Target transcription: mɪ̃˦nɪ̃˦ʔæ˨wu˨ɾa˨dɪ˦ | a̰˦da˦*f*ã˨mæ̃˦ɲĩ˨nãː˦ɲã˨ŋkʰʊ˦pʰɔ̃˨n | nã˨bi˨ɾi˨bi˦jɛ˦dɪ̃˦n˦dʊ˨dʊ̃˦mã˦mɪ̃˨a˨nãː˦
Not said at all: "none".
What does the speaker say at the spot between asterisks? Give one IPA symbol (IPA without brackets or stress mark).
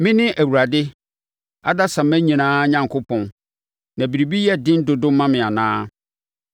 s